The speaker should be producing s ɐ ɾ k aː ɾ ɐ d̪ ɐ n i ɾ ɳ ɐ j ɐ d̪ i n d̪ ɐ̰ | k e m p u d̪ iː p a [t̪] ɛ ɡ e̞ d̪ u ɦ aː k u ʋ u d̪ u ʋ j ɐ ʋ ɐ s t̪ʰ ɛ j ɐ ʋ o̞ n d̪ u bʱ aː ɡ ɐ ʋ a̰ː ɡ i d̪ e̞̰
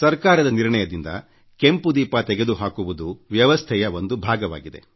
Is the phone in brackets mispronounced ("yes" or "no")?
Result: no